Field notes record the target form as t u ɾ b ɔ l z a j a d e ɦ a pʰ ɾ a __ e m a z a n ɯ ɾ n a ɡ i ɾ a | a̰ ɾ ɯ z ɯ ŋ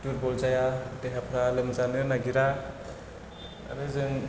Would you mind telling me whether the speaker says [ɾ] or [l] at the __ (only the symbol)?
l